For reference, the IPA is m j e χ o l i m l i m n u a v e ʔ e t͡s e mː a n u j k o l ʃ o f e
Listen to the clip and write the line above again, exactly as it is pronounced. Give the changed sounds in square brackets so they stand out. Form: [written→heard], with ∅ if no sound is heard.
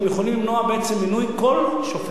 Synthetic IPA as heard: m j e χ o l i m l i m n [u→o] a [v→b] e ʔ e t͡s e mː [a→i] n u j k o l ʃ o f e